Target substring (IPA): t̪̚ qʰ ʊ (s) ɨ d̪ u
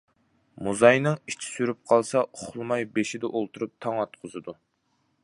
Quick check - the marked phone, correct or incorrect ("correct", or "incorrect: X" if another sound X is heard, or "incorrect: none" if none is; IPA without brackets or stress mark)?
incorrect: z